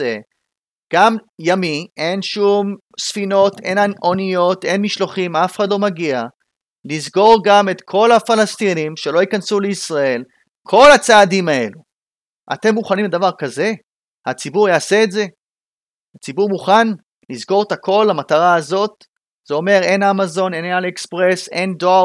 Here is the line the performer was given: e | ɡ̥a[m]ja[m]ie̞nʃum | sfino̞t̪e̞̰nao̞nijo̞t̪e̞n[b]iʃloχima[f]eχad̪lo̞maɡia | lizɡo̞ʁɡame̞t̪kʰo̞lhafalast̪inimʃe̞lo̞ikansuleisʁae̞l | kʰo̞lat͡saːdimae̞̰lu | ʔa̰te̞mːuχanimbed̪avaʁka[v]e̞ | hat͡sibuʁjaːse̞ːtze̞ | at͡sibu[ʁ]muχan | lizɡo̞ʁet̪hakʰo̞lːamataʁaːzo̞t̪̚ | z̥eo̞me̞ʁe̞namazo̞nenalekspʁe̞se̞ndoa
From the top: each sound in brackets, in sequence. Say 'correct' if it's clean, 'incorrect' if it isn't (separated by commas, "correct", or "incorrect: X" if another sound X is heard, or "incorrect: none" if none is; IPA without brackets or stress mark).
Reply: correct, correct, incorrect: m, correct, incorrect: z, correct